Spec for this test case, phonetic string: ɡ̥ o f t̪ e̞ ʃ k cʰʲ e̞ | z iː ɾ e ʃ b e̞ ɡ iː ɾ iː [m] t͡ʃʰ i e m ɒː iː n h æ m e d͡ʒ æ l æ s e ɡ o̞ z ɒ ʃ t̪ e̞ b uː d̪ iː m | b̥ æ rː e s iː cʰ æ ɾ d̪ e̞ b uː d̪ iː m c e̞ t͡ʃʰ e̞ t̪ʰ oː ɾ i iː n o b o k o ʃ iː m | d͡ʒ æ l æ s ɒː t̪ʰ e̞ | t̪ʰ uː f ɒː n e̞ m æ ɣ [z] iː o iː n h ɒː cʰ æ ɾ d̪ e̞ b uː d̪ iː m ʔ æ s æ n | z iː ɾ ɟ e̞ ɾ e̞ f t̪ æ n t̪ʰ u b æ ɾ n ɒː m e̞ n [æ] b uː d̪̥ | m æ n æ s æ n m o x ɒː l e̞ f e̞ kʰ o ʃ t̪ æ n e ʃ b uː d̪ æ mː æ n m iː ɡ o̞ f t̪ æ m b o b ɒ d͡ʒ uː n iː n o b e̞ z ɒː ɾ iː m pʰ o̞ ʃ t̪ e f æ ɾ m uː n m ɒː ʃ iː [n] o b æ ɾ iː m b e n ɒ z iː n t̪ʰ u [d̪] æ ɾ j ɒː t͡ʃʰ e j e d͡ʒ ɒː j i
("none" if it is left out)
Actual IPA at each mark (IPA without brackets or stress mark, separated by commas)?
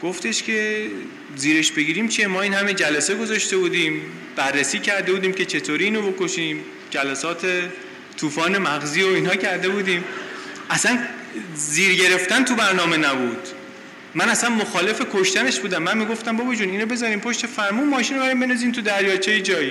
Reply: m, z, æ, n, d̪